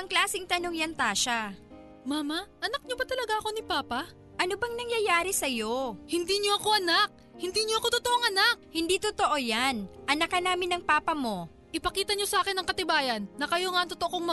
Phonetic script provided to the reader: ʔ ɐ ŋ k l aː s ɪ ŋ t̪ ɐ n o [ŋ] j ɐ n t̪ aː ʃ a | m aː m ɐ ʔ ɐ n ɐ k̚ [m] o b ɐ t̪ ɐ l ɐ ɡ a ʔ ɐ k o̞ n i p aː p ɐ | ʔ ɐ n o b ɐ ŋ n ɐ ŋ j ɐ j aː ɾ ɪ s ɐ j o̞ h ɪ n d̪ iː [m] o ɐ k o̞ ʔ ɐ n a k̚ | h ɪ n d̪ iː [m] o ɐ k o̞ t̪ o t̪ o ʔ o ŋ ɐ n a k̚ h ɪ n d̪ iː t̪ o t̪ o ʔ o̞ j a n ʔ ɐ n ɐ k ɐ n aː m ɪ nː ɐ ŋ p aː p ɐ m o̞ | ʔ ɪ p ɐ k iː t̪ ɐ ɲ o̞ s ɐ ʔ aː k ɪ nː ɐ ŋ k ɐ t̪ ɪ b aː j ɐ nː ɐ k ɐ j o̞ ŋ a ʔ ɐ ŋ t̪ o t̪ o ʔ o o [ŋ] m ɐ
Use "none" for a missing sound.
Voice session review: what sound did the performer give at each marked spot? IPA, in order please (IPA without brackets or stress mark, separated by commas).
ŋ, ɲ, ɲ, ɲ, ŋ